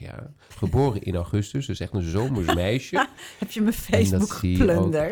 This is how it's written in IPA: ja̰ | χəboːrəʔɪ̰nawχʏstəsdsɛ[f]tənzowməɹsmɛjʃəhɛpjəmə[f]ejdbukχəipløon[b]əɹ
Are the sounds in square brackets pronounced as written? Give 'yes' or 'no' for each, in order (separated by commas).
no, yes, no